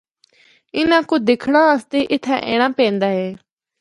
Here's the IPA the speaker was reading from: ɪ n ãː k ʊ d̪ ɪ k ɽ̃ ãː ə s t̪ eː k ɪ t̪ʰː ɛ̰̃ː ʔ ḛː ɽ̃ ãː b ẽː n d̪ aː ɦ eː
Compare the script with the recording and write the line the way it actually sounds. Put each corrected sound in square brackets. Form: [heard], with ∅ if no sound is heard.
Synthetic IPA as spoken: ɪ n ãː k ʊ d̪ ɪ [kʰ] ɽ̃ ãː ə s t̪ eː [ʔ] ɪ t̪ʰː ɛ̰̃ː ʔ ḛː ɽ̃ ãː [p] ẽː n d̪ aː ɦ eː